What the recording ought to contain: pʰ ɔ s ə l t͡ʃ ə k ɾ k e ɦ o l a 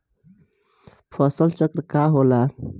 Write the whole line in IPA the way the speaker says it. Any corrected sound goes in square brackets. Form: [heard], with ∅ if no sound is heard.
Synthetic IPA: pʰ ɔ s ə l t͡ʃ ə k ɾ k [a] ɦ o l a

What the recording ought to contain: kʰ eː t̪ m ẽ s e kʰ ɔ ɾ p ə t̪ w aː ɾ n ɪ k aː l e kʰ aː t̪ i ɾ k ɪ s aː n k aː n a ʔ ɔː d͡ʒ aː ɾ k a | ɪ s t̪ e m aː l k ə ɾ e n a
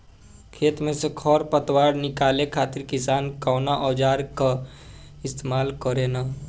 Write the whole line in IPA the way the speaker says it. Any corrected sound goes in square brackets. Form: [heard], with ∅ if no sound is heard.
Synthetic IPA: kʰ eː t̪ m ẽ s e kʰ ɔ ɾ p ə t̪ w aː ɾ n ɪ k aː l e kʰ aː t̪ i ɾ k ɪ s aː n k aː n a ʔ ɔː d͡ʒ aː ɾ k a | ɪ s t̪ e m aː l k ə ɾ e n a

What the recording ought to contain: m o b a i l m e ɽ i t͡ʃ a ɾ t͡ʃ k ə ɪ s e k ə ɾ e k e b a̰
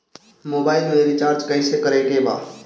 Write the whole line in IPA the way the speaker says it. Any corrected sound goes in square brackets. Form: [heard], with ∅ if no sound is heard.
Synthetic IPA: m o b a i l m e [ɾ] i t͡ʃ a ɾ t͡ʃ k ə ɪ s e k ə ɾ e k e b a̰

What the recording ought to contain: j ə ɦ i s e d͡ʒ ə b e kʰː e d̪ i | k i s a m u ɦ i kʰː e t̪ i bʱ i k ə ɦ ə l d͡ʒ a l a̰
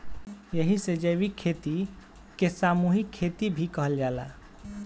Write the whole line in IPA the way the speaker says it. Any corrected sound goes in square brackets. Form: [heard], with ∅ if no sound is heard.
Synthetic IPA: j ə ɦ i s e d͡ʒ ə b [i] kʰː e [t̪] i | k [e] s a m u ɦ i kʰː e t̪ i bʱ i k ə ɦ ə l d͡ʒ a l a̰

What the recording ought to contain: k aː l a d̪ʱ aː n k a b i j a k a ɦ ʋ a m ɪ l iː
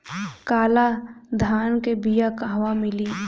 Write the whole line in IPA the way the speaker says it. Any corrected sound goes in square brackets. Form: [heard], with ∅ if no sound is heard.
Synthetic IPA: k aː l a d̪ʱ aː n k [e] b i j a k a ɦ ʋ a m ɪ l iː

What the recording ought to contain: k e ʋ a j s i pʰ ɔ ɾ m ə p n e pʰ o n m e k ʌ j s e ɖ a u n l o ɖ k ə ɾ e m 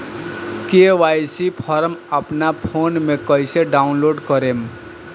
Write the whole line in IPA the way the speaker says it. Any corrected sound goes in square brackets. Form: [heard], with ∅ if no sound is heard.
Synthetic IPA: k e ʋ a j s i pʰ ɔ ɾ m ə p n [a] pʰ o n m e k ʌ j s e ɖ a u n l o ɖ k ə ɾ e m

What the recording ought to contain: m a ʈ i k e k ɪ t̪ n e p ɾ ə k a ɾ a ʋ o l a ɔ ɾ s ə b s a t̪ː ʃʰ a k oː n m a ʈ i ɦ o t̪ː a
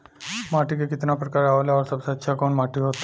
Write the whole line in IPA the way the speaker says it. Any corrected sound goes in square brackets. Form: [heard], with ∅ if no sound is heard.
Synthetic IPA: m a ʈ i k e k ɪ t̪ n [a] p ɾ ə k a ɾ a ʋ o l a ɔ ɾ s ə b s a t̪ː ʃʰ a k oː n m a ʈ i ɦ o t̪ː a

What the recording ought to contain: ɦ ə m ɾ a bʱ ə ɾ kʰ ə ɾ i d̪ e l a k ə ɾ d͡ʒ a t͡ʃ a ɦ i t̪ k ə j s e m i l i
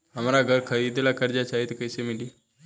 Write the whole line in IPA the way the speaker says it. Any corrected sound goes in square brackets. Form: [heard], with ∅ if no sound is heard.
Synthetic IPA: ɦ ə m ɾ a [ɡʱ] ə ɾ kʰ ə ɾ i d̪ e l a k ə ɾ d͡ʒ a t͡ʃ a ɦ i t̪ k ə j s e m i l i

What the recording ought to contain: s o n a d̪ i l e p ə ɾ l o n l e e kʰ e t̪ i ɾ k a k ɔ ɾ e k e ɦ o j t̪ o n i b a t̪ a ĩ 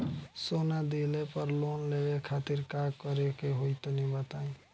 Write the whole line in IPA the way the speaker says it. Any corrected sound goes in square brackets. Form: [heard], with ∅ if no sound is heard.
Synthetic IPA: s o n a d̪ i l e p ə ɾ l o n l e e kʰ [a] t̪ i ɾ k a k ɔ ɾ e k e ɦ o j t̪ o n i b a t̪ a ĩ

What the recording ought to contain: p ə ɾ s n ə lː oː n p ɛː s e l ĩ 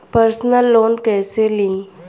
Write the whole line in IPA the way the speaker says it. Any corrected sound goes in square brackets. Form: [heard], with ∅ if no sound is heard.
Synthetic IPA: p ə ɾ s n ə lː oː n [k] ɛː s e l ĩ

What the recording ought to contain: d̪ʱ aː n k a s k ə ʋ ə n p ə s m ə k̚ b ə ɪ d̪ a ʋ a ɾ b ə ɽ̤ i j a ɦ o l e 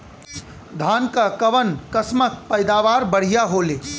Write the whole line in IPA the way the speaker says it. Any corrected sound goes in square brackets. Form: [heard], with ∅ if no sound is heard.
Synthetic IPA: d̪ʱ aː n k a [∅] k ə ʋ ə n [k] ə s m ə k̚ [p] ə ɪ d̪ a ʋ a ɾ b ə ɽ̤ i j a ɦ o l e

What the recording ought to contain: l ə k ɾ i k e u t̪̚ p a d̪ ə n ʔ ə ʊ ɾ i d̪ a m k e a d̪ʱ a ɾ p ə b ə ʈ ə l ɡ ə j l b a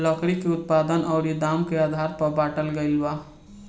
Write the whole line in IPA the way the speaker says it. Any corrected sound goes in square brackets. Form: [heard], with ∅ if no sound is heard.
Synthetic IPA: l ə k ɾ i k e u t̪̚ p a d̪ ə n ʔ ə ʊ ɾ i d̪ a m k e a d̪ʱ a ɾ p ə b [a] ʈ ə l ɡ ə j l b a

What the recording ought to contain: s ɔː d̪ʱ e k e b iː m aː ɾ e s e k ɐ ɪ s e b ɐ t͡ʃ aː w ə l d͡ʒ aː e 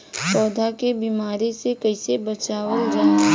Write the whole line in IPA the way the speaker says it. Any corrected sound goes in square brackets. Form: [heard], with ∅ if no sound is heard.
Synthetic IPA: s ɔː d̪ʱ [a] k e b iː m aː ɾ e s e k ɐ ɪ s e b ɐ t͡ʃ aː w ə l d͡ʒ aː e

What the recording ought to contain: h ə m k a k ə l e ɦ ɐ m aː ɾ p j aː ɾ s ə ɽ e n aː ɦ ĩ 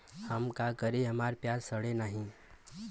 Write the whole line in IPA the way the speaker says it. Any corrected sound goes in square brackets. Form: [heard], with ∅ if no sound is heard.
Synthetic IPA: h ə m k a k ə [ɾ] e ɦ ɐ m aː ɾ p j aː ɾ s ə ɽ e n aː ɦ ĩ

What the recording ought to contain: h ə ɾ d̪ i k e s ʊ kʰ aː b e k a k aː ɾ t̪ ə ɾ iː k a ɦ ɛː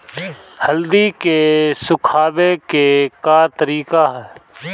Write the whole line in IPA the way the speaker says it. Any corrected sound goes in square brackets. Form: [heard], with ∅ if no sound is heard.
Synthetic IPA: h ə [l] d̪ i k e s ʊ kʰ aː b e k [e] k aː ɾ t̪ ə ɾ iː k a ɦ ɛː

